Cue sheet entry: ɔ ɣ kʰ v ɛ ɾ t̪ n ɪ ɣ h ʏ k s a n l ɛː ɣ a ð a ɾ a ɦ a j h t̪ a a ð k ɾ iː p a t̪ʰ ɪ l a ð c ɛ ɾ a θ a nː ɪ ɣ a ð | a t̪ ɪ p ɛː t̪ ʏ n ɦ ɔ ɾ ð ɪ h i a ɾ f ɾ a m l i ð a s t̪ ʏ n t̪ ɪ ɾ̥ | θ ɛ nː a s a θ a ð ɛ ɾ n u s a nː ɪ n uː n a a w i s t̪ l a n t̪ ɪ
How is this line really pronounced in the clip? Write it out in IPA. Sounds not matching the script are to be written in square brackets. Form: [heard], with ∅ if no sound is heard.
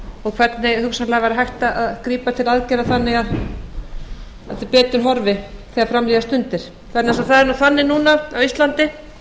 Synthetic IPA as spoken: ɔ ɣ kʰ v ɛ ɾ t̪ n ɪ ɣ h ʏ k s a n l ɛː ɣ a [v] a ɾ a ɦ a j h t̪ a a ð k ɾ iː p a t̪ʰ ɪ l a ð c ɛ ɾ a θ a nː ɪ ɣ a ð | a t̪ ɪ p ɛː t̪ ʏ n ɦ ɔ ɾ [v] ɪ [θ] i a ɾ f ɾ a m l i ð a s t̪ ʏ n t̪ ɪ ɾ̥ | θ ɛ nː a s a θ a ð ɛ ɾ n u [θ] a nː ɪ n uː n a a w i s t̪ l a n t̪ ɪ